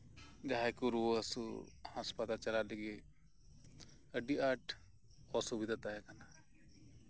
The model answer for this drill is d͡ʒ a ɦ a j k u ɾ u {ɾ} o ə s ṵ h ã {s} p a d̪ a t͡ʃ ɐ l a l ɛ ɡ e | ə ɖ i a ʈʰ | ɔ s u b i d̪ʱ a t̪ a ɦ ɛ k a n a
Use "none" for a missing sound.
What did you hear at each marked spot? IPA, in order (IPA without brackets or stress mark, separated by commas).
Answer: none, s